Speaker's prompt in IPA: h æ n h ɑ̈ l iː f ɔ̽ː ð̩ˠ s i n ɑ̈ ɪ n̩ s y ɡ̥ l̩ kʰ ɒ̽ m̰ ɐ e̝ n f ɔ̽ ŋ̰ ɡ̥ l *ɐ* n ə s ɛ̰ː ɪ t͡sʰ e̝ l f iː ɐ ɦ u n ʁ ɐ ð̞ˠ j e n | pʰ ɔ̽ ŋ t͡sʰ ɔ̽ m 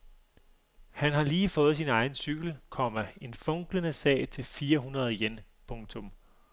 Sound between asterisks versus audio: incorrect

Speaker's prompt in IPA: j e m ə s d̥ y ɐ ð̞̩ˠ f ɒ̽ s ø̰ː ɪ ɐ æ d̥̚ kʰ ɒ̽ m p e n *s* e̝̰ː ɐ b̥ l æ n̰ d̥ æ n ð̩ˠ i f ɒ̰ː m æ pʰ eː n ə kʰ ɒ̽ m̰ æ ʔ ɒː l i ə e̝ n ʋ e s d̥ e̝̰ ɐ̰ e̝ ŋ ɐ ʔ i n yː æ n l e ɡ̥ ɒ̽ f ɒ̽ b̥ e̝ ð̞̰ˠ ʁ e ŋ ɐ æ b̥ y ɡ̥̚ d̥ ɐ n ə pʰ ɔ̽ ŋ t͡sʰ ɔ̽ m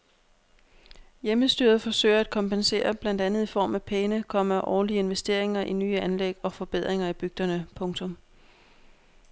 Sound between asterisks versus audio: correct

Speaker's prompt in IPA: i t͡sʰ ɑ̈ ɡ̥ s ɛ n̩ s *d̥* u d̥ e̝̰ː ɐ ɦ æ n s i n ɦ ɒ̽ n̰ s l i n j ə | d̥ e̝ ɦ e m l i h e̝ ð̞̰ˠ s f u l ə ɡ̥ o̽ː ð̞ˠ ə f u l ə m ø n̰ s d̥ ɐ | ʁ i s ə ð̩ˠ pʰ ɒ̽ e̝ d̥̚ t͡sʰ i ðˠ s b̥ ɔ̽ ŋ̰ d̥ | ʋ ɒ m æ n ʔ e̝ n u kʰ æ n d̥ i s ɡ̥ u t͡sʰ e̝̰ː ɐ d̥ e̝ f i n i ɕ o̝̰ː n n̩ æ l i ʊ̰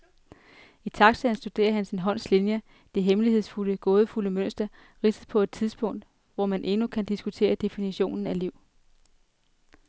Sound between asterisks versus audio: correct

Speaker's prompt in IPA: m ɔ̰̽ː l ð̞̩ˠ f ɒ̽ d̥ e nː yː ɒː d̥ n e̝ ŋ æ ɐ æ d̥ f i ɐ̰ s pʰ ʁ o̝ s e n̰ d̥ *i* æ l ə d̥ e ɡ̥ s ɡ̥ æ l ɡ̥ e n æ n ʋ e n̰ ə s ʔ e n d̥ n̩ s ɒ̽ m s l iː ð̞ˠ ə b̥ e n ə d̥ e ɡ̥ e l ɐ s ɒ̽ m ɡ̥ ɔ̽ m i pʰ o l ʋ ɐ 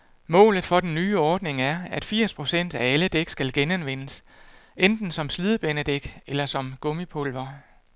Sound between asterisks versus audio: incorrect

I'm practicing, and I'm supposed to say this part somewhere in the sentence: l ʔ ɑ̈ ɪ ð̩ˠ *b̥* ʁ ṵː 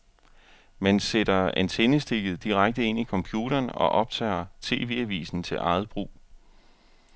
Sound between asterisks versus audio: correct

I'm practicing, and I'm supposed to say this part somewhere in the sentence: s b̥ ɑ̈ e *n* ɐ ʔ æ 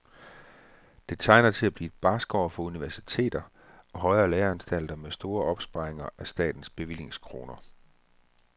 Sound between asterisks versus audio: incorrect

